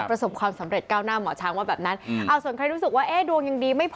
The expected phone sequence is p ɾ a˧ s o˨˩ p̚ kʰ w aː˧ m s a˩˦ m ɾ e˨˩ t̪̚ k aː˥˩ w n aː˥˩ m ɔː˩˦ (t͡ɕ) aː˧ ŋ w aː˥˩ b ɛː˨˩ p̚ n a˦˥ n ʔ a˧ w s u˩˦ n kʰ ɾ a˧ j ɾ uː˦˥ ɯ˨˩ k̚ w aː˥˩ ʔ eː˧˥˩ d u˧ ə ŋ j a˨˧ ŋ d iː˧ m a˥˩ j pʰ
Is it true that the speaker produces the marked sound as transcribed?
no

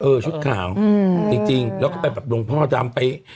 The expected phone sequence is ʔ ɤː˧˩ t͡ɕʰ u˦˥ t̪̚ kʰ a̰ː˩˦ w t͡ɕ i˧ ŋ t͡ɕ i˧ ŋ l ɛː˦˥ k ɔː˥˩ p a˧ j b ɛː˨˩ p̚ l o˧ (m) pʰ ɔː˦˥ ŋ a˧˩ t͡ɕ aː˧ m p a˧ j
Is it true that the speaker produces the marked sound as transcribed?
no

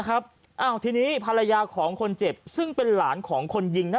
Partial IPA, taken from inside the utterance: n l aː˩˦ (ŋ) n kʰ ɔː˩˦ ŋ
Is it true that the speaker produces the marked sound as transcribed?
no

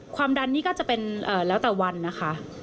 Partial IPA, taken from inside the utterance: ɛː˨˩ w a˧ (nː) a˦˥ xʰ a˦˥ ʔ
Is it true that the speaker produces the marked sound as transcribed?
yes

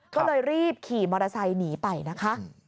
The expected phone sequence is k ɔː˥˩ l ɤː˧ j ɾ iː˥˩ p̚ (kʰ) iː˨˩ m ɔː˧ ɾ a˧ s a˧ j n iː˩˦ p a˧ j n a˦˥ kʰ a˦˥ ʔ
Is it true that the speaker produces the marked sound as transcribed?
yes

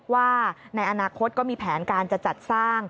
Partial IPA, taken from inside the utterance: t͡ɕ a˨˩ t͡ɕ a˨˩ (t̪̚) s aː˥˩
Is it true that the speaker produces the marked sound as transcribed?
yes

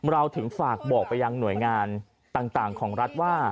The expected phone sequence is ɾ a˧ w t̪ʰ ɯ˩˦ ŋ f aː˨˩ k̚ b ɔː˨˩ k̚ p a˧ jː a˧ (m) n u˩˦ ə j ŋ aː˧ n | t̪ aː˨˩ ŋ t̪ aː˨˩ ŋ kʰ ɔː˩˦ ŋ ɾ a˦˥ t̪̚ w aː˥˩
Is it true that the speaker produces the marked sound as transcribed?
no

